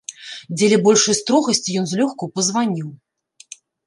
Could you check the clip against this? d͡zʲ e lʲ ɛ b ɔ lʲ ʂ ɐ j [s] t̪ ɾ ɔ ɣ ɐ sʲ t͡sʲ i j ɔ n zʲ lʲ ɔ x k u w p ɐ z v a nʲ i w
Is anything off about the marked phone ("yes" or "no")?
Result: no